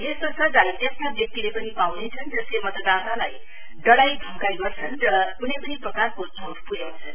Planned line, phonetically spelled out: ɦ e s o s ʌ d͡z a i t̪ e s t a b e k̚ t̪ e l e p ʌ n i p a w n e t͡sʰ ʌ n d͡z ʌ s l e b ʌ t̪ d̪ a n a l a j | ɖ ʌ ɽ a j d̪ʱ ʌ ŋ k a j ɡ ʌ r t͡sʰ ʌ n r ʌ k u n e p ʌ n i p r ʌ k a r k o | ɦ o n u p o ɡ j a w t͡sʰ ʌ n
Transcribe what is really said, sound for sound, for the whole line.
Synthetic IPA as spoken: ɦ e s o s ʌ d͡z a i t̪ e s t a b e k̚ t̪ i l e p ʌ n i p a w n e t͡sʰ ʌ n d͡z ʌ s l e m ʌ t̪ d̪ a n a l a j | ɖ ʌ ɽ a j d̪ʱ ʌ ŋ k a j ɡ ʌ r t͡sʰ ʌ n r ʌ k u n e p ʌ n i p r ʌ k a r k o | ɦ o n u p u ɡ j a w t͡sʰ ʌ n

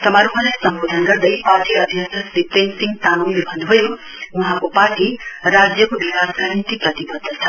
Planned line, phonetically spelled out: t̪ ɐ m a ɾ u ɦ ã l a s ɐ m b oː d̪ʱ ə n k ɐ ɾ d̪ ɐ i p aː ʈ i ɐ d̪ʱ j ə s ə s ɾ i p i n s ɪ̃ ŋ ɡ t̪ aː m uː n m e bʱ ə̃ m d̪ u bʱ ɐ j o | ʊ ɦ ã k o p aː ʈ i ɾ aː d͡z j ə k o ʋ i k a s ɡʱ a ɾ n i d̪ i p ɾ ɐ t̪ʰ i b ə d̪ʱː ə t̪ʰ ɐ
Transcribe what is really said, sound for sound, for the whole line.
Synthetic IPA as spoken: t̪ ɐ m a ɾ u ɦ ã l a s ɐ m b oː d̪ʱ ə n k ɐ ɾ d̪ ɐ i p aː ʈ i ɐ d̪ʱ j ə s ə s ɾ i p e n s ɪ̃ ŋ ɡ t̪ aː n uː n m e bʱ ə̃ n d̪ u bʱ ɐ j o | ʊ ɦ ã k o p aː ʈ i ɾ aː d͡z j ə k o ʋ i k a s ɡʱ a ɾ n i t̪ i p ɾ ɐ t̪ i b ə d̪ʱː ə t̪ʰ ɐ

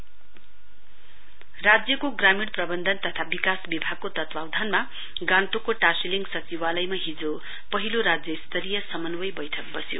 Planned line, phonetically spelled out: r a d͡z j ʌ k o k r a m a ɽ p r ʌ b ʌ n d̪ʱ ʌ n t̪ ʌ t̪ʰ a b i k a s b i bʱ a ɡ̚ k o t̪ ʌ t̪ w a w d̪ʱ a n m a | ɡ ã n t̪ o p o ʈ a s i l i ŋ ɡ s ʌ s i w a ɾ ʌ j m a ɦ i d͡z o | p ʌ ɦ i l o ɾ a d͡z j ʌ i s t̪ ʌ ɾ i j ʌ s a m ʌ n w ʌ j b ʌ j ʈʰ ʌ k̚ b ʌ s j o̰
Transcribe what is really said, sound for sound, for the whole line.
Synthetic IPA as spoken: r a d͡z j ʌ k o ɡ r a m i ɽ p r ʌ b ʌ n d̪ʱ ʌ n t̪ ʌ t̪ʰ a b i k a s b i bʱ a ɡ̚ k o t̪ ʌ t̪ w a w d̪ʱ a n m a | ɡ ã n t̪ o k o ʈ a s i l i ŋ ɡ s ʌ t͡s i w a l ʌ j m a ɦ i d͡z o | p ʌ ɦ i l o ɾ a d͡z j ʌ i s t̪ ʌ ɾ i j ʌ s ʌ m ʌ n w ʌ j b ʌ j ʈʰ ʌ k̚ b ʌ s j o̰

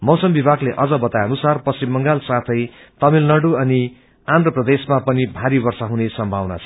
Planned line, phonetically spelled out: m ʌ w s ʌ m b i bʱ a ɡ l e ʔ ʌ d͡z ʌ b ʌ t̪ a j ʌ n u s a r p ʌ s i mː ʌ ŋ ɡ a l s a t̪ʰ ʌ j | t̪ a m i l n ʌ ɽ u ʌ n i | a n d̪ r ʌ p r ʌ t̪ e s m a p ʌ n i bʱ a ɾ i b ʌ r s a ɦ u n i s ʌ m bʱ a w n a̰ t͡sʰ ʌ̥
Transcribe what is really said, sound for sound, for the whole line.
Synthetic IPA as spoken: m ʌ w s ʌ m b i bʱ a ɡ l e ʔ ʌ d͡z ʌ b ʌ t̪ a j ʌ n u s a r p ʌ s i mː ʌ ŋ ɡ a l s a t̪ʰ ʌ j | t̪ ʌ m i l n ʌ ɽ u ʌ n i | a n d̪ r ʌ p r ʌ d̪ e s m a p ʌ n i bʱ a ɾ i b ʌ r s a ɦ u n e s ʌ m bʱ a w n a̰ t͡sʰ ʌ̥

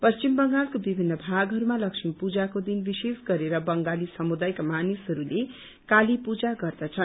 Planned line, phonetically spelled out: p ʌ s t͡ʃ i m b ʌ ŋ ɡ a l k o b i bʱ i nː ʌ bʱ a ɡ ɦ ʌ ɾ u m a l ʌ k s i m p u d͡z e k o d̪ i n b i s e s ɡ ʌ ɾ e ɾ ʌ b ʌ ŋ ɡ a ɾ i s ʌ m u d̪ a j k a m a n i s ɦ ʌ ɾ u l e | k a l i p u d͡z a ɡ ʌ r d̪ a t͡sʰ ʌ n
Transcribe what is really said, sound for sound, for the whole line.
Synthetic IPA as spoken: p ʌ s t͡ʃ i m b ʌ ŋ ɡ a l k o b i bʱ i nː ʌ bʱ a ɡ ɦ ʌ ɾ u m a l ʌ k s i m p u d͡z a k o d̪ i n b i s e s ɡ ʌ ɾ e ɾ ʌ b ʌ ŋ ɡ a l i s ʌ m u d̪ a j k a m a n i s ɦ ʌ ɾ u l e | k a l i p u d͡z a ɡ ʌ r d̪ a t͡sʰ ʌ n

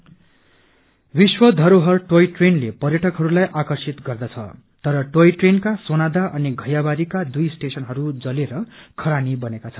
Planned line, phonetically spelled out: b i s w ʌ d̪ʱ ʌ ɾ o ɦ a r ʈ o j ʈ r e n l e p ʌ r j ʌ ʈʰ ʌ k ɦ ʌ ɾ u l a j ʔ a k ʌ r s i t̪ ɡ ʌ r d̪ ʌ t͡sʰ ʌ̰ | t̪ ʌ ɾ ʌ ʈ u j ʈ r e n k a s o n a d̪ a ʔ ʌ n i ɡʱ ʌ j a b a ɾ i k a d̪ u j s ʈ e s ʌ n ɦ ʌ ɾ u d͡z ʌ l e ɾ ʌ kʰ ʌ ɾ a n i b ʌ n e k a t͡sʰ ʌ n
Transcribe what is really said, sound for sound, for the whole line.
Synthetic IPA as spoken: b i s w ʌ d̪ʱ ʌ ɾ o ɦ ʌ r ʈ o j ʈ r e n l e p ʌ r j ʌ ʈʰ ʌ k ɦ ʌ ɾ u l a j ʔ a k ʌ r s i t̪ ɡ ʌ r d̪ ʌ t͡sʰ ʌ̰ | t̪ ʌ ɾ ʌ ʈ o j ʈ r e n k a s o n a d̪ a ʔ ʌ n i ɡʱ ʌ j a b a ɾ i k a d̪ u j s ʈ e s ʌ n ɦ ʌ ɾ u d͡z ʌ l e ɾ ʌ kʰ ʌ ɾ a n i b ʌ n e k a t͡sʰ ʌ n

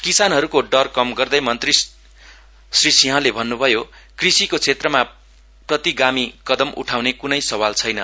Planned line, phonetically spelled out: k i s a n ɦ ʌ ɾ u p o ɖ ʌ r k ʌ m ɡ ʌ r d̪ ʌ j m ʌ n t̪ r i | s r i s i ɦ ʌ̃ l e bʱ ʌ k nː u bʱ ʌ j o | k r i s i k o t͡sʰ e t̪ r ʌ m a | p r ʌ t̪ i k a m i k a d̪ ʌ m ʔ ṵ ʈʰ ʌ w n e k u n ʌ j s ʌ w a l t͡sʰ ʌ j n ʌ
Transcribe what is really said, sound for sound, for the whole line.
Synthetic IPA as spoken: k i s a n ɦ ʌ ɾ u k o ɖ ʌ r k ʌ m ɡ ʌ r d̪ ʌ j m ʌ n t̪ r i | s r i s i ɦ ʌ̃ l e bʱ ʌ nː u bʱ ʌ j o | k r i s i k o t͡sʰ e t̪ r ʌ m a | p r ʌ t̪ i ɡ a m i k ʌ d̪ ʌ m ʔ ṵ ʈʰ a w n e k u n ʌ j s ʌ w a l t͡sʰ ʌ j n ʌ

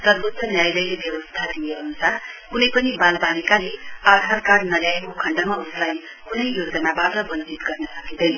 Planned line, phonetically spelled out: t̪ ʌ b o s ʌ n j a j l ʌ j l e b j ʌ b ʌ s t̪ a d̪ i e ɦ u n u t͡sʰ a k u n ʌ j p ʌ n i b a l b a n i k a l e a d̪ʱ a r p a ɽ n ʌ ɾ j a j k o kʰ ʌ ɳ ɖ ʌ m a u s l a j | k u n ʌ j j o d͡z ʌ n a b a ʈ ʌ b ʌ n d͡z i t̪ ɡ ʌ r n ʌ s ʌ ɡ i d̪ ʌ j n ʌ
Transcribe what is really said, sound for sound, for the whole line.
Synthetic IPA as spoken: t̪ ʌ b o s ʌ n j a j l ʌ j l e b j ʌ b ʌ s t̪ʰ a d̪ i e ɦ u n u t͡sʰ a k u n ʌ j p ʌ n i b a l b a n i k a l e a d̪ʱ a r k a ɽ n ʌ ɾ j a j k o kʰ ʌ ɳ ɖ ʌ m a u s l a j | k u n ʌ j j o d͡z ʌ n a b a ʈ ʌ b ʌ n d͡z i t̪ ɡ ʌ r n ʌ s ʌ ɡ i d̪ ʌ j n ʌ

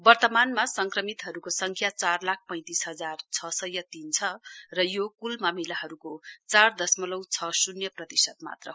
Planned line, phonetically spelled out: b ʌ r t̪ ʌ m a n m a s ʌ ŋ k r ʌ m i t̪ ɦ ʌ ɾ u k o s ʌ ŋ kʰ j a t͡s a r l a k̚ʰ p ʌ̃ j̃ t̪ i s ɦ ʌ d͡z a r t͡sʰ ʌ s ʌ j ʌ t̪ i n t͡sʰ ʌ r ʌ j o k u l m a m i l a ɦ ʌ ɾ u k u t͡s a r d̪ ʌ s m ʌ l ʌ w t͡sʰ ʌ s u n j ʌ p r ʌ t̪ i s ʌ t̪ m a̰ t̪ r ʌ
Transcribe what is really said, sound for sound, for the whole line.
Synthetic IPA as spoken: b ʌ r t̪ ʌ m a n m a s ʌ ŋ k r ʌ m i t̪ ɦ ʌ ɾ u k o s ʌ ŋ kʰ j a t͡s a r l a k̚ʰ p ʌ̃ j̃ t̪ i s ɦ ʌ d͡z a r t͡sʰ ʌ s ʌ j ʌ t̪ i n t͡sʰ ʌ r ʌ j o k u l m a m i l a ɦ ʌ ɾ u k o t͡s a r d̪ ʌ s m ʌ l ʌ w t͡sʰ ʌ s u n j ʌ p r ʌ t̪ i s ʌ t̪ m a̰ t̪ r ʌ

